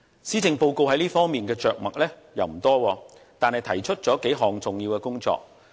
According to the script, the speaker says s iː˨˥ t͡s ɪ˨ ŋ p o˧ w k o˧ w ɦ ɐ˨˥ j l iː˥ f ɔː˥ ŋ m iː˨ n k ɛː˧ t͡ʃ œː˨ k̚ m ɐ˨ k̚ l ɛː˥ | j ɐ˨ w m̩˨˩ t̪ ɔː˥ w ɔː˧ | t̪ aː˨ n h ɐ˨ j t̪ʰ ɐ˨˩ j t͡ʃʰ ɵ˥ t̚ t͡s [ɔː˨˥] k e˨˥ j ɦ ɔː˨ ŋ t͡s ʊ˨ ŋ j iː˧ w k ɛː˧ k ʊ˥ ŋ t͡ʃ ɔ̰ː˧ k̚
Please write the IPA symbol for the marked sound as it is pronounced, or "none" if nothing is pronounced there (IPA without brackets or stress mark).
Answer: ɔː˨˥